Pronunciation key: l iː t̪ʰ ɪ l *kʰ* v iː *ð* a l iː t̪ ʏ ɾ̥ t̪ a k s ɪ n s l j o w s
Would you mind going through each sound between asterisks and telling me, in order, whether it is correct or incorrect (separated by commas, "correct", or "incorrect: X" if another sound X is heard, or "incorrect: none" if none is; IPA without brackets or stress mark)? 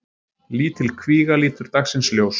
correct, incorrect: ɣ